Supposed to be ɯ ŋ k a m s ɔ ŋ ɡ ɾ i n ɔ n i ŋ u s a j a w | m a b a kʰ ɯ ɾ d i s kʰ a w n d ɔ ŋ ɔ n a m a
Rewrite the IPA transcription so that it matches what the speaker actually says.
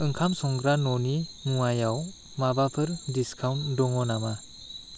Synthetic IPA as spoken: ɯ ŋ kʰ a m s ɔ ŋ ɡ ɾ a n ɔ n i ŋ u a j a w | m a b a pʰ ɯ ɾ d i s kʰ a w n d ɔ ŋ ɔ n a m a